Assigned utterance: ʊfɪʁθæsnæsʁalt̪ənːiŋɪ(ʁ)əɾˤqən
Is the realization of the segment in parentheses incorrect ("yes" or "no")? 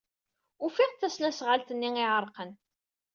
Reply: yes